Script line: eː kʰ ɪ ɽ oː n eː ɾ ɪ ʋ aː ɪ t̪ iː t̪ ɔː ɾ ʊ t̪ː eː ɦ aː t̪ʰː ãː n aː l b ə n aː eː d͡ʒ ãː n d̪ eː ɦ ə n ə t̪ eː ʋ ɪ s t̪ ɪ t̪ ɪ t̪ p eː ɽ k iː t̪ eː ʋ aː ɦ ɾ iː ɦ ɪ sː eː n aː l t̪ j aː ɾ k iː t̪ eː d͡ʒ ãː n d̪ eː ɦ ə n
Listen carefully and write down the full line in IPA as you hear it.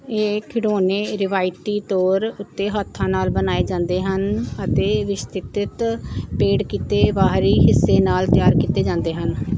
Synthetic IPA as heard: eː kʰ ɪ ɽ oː n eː ɾ ɪ ʋ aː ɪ t̪ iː t̪ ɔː ɾ ʊ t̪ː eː ɦ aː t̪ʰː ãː n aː l b ə n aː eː d͡ʒ ãː n d̪ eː ɦ ə n ə t̪ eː ʋ ɪ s t̪ ɪ t̪ ɪ t̪ p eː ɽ k iː t̪ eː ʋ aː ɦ ɾ iː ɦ ɪ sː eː n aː l t̪ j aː ɾ k iː t̪ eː d͡ʒ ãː n d̪ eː ɦ ə n

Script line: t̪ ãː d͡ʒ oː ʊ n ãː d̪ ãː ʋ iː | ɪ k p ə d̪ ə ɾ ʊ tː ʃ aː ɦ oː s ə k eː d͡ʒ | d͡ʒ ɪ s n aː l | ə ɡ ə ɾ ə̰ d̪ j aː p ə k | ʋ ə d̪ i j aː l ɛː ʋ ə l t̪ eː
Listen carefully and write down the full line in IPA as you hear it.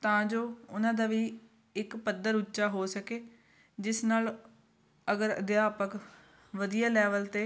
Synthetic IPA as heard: t̪ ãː d͡ʒ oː ʊ n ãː d̪ aː ʋ iː | ɪ k p ə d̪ ə ɾ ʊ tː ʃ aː ɦ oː s ə k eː | d͡ʒ ɪ s n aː l | ə ɡ ə ɾ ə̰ d̪ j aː p ə k | ʋ ə d̪ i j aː l ɛː ʋ ə l t̪ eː

